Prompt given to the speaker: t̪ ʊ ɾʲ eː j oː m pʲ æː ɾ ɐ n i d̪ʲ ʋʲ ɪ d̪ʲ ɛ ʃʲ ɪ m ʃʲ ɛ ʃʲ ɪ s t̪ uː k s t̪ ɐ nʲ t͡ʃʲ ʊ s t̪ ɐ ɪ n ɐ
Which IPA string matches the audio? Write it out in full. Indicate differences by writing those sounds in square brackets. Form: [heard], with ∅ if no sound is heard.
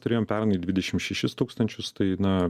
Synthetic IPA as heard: t̪ ʊ ɾʲ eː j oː m pʲ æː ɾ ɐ n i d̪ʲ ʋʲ ɪ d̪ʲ ɛ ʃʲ ɪ m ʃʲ ɛ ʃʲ ɪ s t̪ uː k s t̪ ɐ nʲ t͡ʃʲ ʊ s t̪ ɐ ɪ n ɐ